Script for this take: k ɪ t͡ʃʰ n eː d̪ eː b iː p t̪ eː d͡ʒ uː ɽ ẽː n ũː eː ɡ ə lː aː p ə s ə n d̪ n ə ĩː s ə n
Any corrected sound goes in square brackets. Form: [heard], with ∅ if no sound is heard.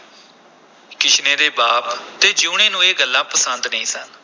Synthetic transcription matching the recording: k ɪ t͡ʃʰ n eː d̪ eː b [aː] p t̪ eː d͡ʒ uː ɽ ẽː n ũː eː ɡ ə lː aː p ə s ə n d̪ n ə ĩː s ə n